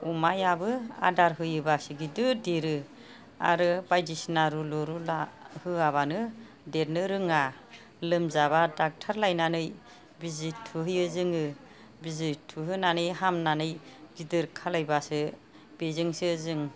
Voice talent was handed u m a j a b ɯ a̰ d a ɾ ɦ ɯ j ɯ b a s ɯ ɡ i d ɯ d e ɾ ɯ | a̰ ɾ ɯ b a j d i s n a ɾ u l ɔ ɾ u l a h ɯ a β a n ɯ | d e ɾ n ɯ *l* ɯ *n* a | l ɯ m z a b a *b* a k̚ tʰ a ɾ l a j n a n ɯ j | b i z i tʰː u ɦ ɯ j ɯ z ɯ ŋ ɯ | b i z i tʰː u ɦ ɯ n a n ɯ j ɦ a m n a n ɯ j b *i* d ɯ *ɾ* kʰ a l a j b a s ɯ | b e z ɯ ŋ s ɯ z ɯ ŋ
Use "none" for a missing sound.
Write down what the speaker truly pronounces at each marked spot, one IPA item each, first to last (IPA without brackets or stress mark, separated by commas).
ɾ, ŋ, d, i, ɾ